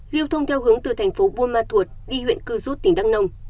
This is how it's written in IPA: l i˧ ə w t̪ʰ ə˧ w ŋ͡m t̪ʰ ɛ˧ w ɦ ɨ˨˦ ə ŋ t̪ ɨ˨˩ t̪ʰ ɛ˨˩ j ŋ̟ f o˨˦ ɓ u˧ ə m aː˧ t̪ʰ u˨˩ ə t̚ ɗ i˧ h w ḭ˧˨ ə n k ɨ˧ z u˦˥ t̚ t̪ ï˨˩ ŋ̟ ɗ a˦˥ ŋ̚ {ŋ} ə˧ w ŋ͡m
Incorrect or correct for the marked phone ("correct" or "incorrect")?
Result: incorrect